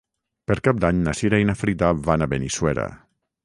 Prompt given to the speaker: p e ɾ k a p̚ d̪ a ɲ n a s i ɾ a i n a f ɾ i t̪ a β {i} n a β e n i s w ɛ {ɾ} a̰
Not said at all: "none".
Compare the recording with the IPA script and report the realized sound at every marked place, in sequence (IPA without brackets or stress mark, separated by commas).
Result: a, ɾ